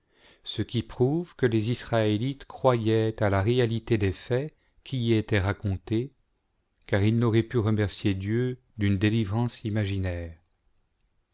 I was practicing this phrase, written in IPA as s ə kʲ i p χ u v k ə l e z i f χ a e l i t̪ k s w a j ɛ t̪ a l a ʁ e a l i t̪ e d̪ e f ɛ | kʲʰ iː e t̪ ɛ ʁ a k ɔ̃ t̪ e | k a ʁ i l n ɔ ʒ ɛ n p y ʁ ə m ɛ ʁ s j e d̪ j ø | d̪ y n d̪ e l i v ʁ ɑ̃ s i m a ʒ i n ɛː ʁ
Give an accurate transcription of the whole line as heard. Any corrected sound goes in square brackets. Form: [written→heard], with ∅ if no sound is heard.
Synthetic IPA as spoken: s ə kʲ i p χ u v k ə l e z i [f→s] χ a e l i t̪ k [s→χ] w a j ɛ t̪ a l a ʁ e a l i t̪ e d̪ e f ɛ | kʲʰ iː e t̪ ɛ ʁ a k ɔ̃ t̪ e | k a ʁ i l n ɔ [ʒ→ʁ] ɛ [n→∅] p y ʁ ə m ɛ ʁ s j e d̪ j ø | d̪ y n d̪ e l i v ʁ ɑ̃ s i m a ʒ i n ɛː ʁ